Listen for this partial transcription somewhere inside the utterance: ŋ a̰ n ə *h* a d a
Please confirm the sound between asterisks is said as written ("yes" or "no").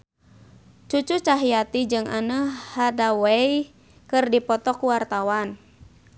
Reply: yes